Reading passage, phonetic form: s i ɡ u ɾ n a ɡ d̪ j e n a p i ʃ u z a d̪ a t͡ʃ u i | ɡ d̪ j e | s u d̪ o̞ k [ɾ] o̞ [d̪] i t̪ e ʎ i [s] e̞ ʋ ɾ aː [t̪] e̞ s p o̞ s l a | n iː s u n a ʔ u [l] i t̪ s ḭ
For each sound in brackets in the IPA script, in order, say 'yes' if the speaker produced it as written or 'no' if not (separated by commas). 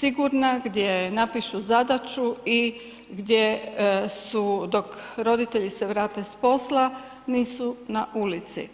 yes, yes, yes, yes, yes